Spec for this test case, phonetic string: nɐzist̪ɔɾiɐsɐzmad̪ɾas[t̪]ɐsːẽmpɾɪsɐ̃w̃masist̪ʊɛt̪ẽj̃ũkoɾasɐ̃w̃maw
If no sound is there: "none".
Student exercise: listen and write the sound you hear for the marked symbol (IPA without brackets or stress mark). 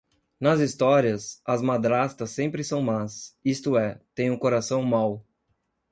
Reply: t̪